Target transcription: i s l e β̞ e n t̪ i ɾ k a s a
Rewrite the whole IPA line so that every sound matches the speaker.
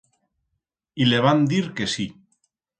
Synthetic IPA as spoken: i l e β̞ a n d̪ i ɾ k e s i